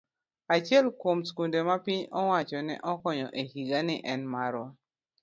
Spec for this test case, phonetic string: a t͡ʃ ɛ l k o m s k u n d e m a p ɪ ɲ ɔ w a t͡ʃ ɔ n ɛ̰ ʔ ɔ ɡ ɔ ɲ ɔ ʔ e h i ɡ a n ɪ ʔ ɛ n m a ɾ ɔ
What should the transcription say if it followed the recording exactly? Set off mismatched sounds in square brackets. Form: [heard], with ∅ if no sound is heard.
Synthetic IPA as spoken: a t͡ʃ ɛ l k o m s k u n d e m a p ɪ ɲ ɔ w a t͡ʃ ɔ n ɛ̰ ʔ ɔ [k] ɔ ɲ ɔ ʔ e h i ɡ a n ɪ ʔ ɛ n m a ɾ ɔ